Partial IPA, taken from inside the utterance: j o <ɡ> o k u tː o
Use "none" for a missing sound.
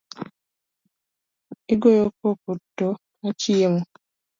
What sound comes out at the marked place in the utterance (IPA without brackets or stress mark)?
k